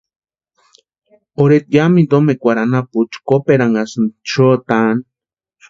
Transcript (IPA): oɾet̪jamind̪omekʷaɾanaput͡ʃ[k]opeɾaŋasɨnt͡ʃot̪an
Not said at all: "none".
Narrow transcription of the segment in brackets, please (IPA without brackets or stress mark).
k